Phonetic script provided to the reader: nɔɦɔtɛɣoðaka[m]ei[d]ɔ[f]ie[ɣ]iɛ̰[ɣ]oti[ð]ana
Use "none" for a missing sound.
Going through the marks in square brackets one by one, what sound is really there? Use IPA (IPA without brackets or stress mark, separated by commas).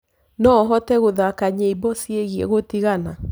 ɲ, b, s, ɣ, ɣ, ɣ